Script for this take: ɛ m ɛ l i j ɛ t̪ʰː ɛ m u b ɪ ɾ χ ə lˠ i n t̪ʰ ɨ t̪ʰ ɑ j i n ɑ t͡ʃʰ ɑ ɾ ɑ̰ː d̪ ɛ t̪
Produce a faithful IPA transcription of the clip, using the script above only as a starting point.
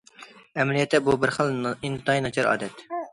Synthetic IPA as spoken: ɛ m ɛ l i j ɛ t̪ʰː ɛ b u b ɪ ɾ χ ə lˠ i n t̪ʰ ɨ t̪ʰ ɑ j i n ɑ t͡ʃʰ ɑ ɾ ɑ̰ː d̪ ɛ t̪